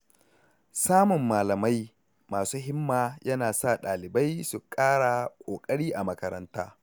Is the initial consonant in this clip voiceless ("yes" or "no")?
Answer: yes